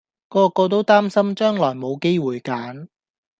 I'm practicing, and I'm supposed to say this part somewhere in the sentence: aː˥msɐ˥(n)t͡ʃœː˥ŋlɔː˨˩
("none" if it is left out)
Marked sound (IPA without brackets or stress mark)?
m